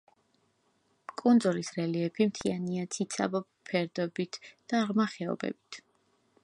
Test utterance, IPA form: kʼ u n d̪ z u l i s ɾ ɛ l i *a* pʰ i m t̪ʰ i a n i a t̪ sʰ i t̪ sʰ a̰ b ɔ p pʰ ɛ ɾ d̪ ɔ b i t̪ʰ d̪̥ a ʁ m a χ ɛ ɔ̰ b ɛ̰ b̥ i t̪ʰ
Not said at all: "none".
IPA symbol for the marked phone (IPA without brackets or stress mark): ɛ